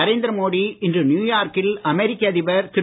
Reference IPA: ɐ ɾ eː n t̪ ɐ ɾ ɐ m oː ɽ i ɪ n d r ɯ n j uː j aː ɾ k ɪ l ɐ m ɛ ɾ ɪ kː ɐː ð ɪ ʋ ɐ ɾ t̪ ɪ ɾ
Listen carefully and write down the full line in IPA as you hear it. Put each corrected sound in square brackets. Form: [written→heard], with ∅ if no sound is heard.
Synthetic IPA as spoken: ɐ ɾ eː n [t̪→d̪] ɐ ɾ ɐ m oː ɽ i ɪ n d r ɯ n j uː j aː ɾ k ɪ l ɐ m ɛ ɾ ɪ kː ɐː ð ɪ ʋ ɐ ɾ t̪ ɪ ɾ

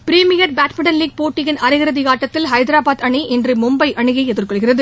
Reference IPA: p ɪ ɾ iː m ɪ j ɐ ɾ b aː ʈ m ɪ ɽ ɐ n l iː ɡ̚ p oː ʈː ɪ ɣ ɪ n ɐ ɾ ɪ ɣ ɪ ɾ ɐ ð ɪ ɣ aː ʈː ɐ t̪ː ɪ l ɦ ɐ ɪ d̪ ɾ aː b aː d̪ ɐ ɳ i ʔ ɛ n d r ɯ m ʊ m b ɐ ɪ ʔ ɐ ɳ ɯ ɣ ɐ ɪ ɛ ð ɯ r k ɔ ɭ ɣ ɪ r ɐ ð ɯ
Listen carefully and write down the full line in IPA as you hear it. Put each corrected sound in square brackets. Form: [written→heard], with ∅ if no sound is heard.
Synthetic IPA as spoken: p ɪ ɾ iː m ɪ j ɐ ɾ b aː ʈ m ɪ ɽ ɐ n l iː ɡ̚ p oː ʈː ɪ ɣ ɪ n ɐ ɾ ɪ ɣ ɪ ɾ ɐ ð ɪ ɣ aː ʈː ɐ t̪ː ɪ l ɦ ɐ ɪ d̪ ɾ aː b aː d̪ ɐ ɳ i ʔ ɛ n d r ɯ m ʊ m b ɐ ɪ ʔ ɐ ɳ ɯ ɣ ɐ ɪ ɛ ð ɯ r k ɔ ɭ ɣ ɪ r ɐ ð ɯ

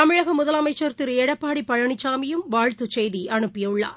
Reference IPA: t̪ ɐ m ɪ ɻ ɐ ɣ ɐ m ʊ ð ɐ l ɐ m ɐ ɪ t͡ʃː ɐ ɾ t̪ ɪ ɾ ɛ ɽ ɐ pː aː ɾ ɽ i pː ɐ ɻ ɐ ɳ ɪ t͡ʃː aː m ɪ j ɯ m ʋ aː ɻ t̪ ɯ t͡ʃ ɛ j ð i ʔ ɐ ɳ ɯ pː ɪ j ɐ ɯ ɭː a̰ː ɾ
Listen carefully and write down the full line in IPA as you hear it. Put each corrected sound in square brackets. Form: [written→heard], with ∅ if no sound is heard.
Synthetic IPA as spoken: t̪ ɐ m ɪ ɻ ɐ ɣ ɐ m ʊ ð ɐ l ɐ m ɐ ɪ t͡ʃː ɐ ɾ t̪ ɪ ɾ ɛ ɽ ɐ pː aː [ɾ→∅] ɽ i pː ɐ ɻ ɐ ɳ ɪ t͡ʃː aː m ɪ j ɯ m ʋ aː ɻ t̪ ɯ t͡ʃ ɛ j ð i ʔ ɐ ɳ ɯ pː ɪ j ɐ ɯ ɭː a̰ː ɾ

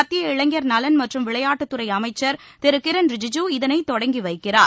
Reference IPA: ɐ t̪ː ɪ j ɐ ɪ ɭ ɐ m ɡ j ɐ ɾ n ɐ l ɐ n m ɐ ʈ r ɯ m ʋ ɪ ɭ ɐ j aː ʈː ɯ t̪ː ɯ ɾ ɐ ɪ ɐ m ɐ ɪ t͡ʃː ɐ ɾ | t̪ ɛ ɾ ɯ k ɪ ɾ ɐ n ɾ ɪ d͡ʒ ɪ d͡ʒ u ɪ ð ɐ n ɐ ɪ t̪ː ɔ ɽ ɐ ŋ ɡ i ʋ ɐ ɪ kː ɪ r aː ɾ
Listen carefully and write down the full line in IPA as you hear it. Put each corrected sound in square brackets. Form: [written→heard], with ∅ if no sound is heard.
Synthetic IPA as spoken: ɐ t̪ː ɪ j ɐ ɪ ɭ ɐ [m→ŋ] ɡ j ɐ ɾ n ɐ l ɐ n m ɐ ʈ r ɯ m ʋ ɪ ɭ ɐ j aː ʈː ɯ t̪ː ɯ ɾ ɐ ɪ ɐ m ɐ ɪ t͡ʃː ɐ ɾ | t̪ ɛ ɾ ɯ k ɪ ɾ ɐ n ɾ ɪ d͡ʒ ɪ d͡ʒ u ɪ ð ɐ n ɐ ɪ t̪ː ɔ ɽ ɐ ŋ ɡ i ʋ ɐ ɪ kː ɪ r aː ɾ

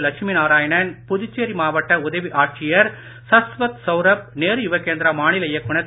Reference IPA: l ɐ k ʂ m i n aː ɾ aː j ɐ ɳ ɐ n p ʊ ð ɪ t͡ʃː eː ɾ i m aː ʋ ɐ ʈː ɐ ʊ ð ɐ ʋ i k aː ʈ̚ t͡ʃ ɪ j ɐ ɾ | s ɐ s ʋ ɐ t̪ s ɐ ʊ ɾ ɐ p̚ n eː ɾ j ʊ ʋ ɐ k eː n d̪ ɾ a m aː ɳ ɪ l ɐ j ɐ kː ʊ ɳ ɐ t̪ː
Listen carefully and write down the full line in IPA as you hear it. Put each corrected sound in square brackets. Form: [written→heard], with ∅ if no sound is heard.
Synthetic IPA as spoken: l ɐ k ʂ m i n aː ɾ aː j ɐ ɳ ɐ n p ʊ ð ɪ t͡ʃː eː ɾ i m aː ʋ ɐ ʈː ɐ ʊ ð ɐ ʋ i [k→ʔ] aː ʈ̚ t͡ʃ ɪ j ɐ ɾ | s ɐ s ʋ ɐ t̪ s ɐ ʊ ɾ ɐ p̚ n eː ɾ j ʊ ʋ ɐ k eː n d̪ ɾ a m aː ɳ ɪ l ɐ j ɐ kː ʊ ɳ ɐ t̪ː

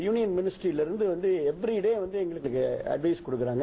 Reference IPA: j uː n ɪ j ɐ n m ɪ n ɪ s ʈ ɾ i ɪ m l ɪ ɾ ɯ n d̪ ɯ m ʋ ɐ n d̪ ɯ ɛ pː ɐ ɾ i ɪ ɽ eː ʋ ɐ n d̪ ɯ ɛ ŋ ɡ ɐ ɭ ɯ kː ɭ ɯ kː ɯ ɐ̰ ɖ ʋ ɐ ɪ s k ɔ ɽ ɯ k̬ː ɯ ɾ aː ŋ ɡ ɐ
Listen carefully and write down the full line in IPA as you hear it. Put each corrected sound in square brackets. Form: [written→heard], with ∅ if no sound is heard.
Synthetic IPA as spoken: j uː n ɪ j ɐ n m ɪ n ɪ s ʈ ɾ i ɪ [m→∅] l ɪ ɾ ɯ n d̪ ɯ [m→∅] ʋ ɐ n d̪ ɯ ɛ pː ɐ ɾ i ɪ ɽ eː ʋ ɐ n d̪ ɯ ɛ ŋ ɡ ɐ ɭ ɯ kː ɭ ɯ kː ɯ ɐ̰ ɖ ʋ ɐ ɪ s k ɔ ɽ ɯ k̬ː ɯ ɾ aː ŋ ɡ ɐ

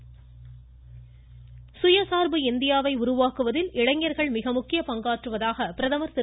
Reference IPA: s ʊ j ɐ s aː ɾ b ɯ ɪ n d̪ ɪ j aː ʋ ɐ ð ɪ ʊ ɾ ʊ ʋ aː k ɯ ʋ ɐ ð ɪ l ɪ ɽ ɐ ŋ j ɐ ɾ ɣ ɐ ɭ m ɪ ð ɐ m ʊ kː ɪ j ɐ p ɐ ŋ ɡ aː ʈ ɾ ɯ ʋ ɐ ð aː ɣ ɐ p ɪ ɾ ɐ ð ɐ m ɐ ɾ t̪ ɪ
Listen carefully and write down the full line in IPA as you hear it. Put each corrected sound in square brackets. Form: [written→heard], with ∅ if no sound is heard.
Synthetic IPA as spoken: s ʊ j ɐ s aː ɾ b ɯ ɪ n d̪ ɪ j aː ʋ ɐ [ð→∅] ɪ ʊ ɾ ʊ ʋ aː k ɯ ʋ ɐ ð ɪ l ɪ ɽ ɐ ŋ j ɐ ɾ ɣ ɐ ɭ m ɪ [ð→ɣ] ɐ m ʊ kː ɪ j ɐ p ɐ ŋ ɡ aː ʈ [ɾ→r] ɯ ʋ ɐ ð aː ɣ ɐ p ɪ ɾ ɐ ð ɐ m ɐ ɾ t̪ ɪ

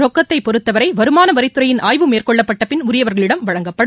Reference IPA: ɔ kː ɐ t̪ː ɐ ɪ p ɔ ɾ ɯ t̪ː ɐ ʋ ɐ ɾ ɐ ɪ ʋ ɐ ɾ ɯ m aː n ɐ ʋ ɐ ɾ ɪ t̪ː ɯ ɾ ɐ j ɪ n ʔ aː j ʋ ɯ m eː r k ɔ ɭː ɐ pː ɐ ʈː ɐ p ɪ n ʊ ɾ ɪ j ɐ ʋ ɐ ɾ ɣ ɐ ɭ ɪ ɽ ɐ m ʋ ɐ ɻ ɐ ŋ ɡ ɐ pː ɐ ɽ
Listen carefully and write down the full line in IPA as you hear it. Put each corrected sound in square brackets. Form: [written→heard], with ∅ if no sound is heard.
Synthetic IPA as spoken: ɔ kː ɐ t̪ː ɐ ɪ p ɔ ɾ ɯ t̪ː ɐ ʋ ɐ ɾ ɐ ɪ ʋ ɐ ɾ ɯ m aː n ɐ ʋ ɐ ɾ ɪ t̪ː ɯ ɾ ɐ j ɪ n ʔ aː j ʋ ɯ m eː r k ɔ ɭː ɐ pː ɐ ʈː ɐ p ɪ n ʊ ɾ ɪ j ɐ ʋ ɐ ɾ ɣ ɐ ɭ ɪ ɽ ɐ m ʋ ɐ ɻ ɐ ŋ ɡ ɐ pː ɐ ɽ

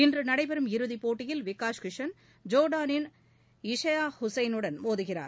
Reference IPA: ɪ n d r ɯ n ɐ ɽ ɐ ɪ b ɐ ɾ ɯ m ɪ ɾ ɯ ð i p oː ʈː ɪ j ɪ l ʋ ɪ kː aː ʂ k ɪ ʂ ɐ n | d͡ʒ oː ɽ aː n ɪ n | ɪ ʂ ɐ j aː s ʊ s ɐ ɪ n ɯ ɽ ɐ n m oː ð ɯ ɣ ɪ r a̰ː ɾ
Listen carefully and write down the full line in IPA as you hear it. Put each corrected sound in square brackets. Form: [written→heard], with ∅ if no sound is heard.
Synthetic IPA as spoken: ɪ n d r ɯ n ɐ ɽ ɐ ɪ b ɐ ɾ ɯ m ɪ ɾ ɯ ð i p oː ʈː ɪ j ɪ l ʋ ɪ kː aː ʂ k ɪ ʂ ɐ n | d͡ʒ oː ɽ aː n ɪ n | ɪ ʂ ɐ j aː [s→h] ʊ s ɐ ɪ n ɯ ɽ ɐ n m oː ð ɯ ɣ ɪ r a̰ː ɾ

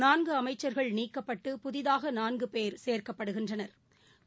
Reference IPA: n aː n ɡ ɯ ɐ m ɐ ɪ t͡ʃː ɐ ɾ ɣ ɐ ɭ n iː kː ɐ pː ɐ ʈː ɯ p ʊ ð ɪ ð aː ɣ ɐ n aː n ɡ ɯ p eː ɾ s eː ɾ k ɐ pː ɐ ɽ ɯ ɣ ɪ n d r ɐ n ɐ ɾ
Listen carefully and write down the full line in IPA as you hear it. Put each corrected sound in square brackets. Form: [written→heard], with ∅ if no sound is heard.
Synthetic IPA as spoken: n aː n ɡ ɯ ɐ m ɐ ɪ t͡ʃː ɐ ɾ ɣ ɐ ɭ n iː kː ɐ pː ɐ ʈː ɯ p ʊ ð ɪ ð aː ɣ ɐ n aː n ɡ ɯ p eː ɾ s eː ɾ k ɐ pː ɐ ɽ ɯ ɣ ɪ n d r ɐ n ɐ ɾ

